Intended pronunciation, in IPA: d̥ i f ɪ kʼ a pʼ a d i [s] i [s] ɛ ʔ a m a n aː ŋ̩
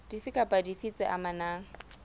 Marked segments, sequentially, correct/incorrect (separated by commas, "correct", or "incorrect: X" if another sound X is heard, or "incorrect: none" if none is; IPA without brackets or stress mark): incorrect: f, incorrect: t͡s